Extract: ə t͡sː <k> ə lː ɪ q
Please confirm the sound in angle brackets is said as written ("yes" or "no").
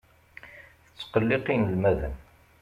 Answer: no